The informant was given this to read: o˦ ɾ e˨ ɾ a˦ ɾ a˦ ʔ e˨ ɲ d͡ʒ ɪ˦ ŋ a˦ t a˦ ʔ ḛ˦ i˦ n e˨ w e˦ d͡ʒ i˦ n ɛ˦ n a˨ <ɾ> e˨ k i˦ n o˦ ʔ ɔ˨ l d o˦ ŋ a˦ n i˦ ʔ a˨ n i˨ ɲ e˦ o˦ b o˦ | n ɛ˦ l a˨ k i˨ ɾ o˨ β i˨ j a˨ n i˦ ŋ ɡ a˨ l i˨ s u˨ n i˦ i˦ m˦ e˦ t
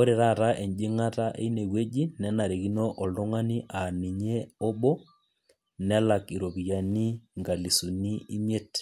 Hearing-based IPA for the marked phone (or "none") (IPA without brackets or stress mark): ɾ